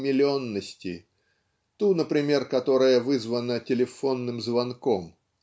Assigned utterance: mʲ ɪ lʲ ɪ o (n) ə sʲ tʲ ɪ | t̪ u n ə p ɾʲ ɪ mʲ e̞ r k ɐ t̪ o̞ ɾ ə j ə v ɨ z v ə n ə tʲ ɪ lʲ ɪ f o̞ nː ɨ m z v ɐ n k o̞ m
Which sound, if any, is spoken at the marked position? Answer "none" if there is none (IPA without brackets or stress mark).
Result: nː